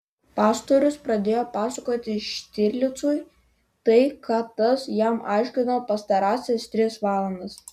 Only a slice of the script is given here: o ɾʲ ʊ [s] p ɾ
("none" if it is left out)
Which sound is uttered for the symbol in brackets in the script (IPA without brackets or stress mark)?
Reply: s